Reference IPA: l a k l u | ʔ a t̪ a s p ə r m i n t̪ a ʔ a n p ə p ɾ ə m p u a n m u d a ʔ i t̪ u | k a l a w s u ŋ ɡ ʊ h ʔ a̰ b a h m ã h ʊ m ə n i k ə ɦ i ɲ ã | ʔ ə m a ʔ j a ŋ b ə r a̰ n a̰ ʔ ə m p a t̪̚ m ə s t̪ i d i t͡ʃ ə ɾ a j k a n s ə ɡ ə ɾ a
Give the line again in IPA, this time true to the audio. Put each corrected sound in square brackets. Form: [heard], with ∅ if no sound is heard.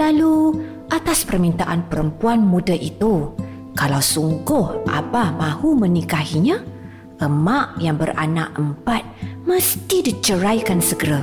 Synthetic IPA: l a [∅] l u | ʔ a t̪ a s p ə r m i n t̪ a ʔ a n p ə [∅] ɾ ə m p u a n m u d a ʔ i t̪ u | k a l a w s u ŋ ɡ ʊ h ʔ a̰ b a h m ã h [u] m ə n i k [a] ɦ i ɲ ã | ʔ ə m a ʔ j a ŋ b ə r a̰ n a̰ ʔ ə m p a t̪̚ m ə s t̪ i d i t͡ʃ ə ɾ a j k a n s ə ɡ ə ɾ a